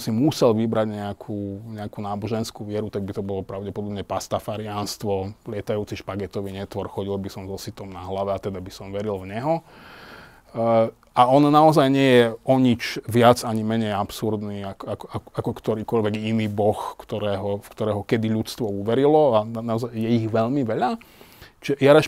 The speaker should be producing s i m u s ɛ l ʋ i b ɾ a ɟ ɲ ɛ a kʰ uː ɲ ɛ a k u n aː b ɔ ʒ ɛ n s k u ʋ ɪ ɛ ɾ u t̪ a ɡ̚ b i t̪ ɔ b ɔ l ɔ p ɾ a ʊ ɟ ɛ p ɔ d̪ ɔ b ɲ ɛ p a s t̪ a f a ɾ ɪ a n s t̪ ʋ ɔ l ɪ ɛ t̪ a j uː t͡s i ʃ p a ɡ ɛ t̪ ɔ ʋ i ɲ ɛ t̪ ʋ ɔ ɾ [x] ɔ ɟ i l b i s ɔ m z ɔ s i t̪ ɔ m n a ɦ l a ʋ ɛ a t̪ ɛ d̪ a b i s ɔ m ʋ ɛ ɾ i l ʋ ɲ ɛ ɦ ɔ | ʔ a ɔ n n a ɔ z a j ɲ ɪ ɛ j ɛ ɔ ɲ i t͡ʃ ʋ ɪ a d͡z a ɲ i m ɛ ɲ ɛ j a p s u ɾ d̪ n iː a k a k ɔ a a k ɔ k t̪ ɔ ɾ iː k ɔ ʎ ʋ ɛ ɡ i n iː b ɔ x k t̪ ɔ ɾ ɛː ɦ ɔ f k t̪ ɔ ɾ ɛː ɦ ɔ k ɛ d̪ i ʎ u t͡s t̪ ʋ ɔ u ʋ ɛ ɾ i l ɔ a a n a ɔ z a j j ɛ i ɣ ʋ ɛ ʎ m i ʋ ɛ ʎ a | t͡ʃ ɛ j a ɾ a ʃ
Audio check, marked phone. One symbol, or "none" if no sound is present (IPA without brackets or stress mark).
x